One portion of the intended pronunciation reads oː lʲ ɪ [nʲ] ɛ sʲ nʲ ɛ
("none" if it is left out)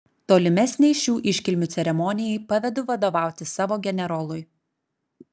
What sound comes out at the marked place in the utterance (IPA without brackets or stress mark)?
mʲ